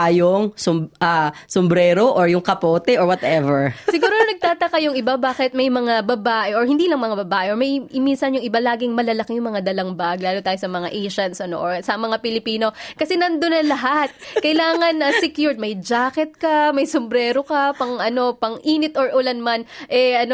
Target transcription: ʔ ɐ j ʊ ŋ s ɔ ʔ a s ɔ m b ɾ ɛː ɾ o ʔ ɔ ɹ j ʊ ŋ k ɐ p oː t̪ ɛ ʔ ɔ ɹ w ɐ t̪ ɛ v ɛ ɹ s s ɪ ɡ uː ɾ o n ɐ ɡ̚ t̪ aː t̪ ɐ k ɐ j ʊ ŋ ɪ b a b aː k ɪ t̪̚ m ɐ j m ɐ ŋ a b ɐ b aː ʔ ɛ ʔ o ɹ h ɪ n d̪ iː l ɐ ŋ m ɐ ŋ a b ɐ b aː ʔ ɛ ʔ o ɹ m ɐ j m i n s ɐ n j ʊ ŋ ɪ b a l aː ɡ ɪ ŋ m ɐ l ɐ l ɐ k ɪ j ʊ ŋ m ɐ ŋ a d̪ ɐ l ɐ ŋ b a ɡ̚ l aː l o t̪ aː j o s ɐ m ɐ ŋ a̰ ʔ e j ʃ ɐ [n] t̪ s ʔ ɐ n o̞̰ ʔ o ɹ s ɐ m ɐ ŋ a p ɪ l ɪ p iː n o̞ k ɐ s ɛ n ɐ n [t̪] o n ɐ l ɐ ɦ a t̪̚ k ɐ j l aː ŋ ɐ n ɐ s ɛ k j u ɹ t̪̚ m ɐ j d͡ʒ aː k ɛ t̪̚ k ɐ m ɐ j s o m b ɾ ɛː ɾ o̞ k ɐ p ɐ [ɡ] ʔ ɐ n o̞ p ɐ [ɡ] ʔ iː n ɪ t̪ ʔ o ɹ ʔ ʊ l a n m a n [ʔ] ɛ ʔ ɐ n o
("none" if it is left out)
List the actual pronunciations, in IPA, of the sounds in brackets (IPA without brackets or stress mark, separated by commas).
n, d̪, ŋ, ŋ, ʔ